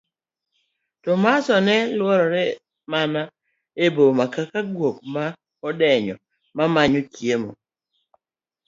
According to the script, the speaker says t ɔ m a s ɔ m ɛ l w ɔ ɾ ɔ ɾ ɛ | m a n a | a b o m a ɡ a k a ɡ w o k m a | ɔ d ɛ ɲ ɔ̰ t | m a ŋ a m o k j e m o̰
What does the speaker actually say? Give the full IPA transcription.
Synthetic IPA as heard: t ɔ m a s ɔ n ɛ l w ɔ ɾ ɔ ɾ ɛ | m a n a | e b o m a k a k a ɡ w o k m a | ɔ d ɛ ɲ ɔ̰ | m a m a ɲ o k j e m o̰

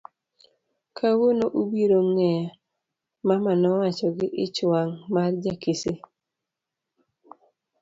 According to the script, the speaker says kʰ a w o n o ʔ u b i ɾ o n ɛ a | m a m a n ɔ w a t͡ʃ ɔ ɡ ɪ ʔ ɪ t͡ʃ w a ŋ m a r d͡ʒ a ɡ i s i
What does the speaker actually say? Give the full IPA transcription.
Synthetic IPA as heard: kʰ a w o n o ʔ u b i ɾ o ŋ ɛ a | m a m a n ɔ w a t͡ʃ ɔ ɡ ɪ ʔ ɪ t͡ʃ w a ŋ m a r d͡ʒ a k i s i

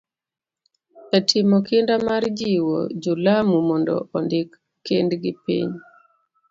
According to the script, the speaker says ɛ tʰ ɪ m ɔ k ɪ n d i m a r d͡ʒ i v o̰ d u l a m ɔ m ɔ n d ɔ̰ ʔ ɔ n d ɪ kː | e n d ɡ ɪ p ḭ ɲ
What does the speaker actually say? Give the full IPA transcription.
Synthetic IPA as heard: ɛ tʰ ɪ m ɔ k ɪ n d a m a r d͡ʒ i w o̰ d͡ʒ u l a m u m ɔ n d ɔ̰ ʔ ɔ n d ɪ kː | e n d ɡ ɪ p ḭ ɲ

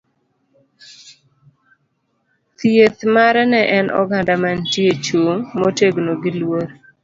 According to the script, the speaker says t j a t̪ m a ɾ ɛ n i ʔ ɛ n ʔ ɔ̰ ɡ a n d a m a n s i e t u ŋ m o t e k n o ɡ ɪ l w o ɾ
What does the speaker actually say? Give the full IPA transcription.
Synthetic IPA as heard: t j e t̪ m a ɾ ɛ n ɛ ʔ ɛ n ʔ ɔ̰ ɡ a n d a m a n t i e t͡ʃ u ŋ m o t e ɡ n o ɡ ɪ l w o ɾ

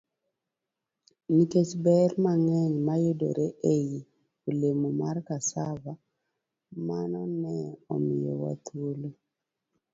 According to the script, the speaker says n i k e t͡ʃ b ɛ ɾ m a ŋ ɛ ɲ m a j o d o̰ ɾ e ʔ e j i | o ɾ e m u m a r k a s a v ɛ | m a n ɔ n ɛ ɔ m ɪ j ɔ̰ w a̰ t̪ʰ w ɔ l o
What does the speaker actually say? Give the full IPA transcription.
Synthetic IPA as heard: n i k e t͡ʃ b ɛ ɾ m a ŋ ɛ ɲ m a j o d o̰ ɾ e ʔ e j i | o l e m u m a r k a s a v a | m a n ɔ n ɛ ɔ m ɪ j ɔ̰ w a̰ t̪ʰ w o l o

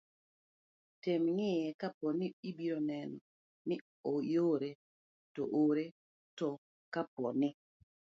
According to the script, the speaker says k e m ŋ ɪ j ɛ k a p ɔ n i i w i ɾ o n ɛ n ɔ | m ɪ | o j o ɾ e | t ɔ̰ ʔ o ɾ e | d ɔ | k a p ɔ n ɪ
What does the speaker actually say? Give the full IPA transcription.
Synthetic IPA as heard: t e m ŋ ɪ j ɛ k a p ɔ n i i b i ɾ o n ɛ n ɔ | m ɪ | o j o ɾ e | t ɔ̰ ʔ o ɾ e | t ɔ | k a p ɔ n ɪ

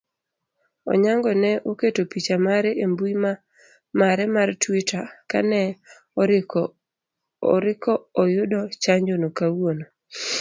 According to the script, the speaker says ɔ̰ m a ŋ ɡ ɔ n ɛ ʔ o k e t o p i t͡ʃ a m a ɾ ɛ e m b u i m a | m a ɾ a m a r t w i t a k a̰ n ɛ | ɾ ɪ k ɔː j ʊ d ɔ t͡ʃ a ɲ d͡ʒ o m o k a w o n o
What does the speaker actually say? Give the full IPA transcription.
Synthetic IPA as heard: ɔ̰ ɲ a ŋ ɡ ɔ n ɛ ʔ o k e t o p i t͡ʃ a m a ɾ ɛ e m b u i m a | m a ɾ ɛ m a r t w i t a k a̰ n ɛ | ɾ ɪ k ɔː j ʊ d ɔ t͡ʃ a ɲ d͡ʒ o n o k a w o n o

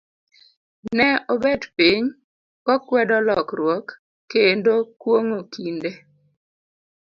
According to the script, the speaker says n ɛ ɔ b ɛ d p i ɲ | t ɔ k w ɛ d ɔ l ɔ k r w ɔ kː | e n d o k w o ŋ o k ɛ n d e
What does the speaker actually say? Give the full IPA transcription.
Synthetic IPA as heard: n ɛ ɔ b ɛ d p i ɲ | k ɔ k w ɛ d ɔ l ɔ k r w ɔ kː | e n d o k w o ŋ o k i n d e

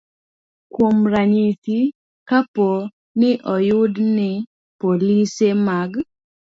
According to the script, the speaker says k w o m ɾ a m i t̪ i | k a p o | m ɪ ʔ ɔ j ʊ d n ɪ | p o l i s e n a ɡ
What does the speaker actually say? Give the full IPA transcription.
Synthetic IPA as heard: k w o m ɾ a ɲ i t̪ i | k a p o | n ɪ ʔ ɔ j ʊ d n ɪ | p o l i s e m a ɡ

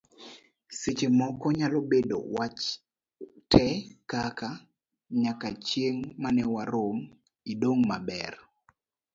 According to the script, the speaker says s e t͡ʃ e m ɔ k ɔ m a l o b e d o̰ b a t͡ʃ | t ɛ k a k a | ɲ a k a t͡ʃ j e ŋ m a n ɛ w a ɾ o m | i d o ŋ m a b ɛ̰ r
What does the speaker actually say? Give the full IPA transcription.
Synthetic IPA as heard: s e t͡ʃ e m ɔ k ɔ ɲ a l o b e d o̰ w a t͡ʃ | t ɛ k a k a | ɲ a k a t͡ʃ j e ŋ m a n ɛ w a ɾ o m | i d o ŋ m a b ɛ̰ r

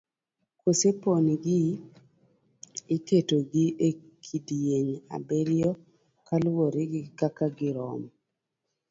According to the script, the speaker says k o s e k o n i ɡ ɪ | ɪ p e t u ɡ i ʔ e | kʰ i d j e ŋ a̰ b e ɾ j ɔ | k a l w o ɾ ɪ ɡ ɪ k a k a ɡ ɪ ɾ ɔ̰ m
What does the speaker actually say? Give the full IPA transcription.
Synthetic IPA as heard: k o s e p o n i ɡ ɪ | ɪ k e t o ɡ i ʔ e | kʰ i d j e ɲ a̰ b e ɾ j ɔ | k a l w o ɾ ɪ ɡ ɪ k a k a ɡ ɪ ɾ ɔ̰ m

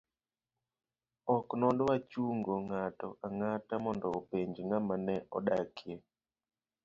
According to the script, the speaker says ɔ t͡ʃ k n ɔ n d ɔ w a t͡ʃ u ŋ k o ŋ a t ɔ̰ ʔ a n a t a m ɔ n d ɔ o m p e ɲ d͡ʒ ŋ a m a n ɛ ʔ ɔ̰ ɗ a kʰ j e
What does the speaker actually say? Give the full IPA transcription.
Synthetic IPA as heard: ɔ k n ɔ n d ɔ w a t͡ʃ u ŋ ɡ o ŋ a t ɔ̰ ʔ a ŋ a t a m ɔ n d ɔ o p e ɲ d͡ʒ ŋ a m a n ɛ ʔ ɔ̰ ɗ a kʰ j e

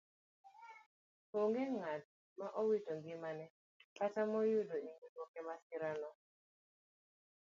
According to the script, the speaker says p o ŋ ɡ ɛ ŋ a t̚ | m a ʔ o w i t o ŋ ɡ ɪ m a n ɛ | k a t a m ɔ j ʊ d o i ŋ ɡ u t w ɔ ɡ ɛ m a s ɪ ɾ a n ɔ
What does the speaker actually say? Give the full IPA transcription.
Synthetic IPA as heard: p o ŋ ɡ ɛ ŋ a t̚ | m a ʔ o w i t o ŋ ɡ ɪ m a n ɛ | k a t a m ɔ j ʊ d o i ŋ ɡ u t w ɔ k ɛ m a s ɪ ɾ a n ɔ

